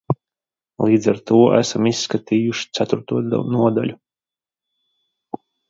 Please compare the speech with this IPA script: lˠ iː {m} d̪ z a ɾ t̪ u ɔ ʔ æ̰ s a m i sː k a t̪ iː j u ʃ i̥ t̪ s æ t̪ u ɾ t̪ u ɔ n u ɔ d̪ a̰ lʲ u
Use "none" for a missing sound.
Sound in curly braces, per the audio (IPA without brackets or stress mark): none